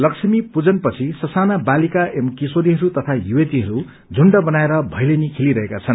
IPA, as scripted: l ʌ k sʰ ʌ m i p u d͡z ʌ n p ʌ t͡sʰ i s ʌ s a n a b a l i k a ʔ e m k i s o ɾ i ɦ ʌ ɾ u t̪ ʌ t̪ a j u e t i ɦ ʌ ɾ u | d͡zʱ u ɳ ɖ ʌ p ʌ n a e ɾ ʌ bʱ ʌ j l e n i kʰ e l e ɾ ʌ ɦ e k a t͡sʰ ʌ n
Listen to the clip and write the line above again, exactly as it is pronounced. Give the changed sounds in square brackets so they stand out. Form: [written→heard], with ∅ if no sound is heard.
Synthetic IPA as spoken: l ʌ k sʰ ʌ m i p u d͡z ʌ n p ʌ t͡sʰ i s ʌ s a n a b a l i k a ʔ e m k i s o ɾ i ɦ ʌ ɾ u t̪ ʌ [t̪→t̪ʰ] a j u e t i ɦ ʌ ɾ u | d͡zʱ u ɳ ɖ ʌ [p→b] ʌ n a e ɾ ʌ bʱ ʌ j l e n i kʰ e l [e→i] ɾ ʌ ɦ e k a t͡sʰ ʌ n